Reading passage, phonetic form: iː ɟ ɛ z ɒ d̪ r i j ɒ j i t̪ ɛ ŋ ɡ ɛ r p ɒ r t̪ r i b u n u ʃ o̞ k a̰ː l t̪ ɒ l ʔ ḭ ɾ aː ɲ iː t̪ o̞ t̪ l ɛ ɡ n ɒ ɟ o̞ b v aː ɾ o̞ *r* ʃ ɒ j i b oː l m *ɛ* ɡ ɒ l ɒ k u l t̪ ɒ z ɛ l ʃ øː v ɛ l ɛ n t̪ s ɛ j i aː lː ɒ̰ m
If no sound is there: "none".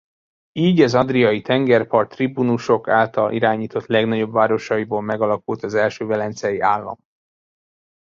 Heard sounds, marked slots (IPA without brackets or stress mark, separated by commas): none, ɛ